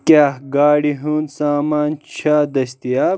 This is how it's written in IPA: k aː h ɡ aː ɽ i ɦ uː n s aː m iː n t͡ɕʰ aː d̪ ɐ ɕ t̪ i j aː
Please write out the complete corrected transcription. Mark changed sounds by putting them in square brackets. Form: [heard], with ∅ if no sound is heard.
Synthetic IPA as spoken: k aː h ɡ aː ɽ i ɦ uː n s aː m [aː] n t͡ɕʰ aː d̪ ɐ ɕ t̪ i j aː